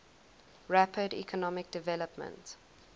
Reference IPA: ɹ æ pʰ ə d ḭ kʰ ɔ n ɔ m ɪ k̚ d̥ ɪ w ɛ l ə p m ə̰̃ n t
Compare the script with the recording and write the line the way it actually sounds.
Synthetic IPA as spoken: ɹ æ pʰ ə d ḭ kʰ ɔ n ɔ m ɪ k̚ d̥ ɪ v ɛ l ə p m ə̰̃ n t